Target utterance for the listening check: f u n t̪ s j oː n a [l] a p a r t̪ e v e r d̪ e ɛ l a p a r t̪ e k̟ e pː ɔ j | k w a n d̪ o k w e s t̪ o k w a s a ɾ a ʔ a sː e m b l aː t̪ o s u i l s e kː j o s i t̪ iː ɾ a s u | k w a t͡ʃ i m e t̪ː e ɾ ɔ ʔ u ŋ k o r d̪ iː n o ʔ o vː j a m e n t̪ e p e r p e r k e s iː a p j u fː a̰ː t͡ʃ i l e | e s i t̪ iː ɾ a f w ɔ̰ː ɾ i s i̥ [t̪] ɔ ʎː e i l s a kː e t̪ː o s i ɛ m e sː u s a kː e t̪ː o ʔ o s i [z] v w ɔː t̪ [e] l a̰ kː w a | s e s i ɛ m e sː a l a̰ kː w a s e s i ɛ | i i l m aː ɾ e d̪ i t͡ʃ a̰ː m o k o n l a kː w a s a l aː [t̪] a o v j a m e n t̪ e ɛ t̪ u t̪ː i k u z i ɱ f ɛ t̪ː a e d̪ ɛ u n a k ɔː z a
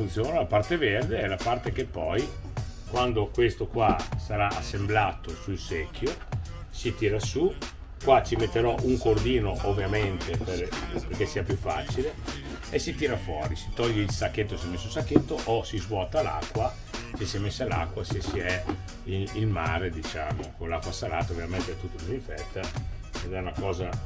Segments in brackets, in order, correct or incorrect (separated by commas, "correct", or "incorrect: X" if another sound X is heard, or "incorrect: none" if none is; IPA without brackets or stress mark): correct, correct, correct, incorrect: a, correct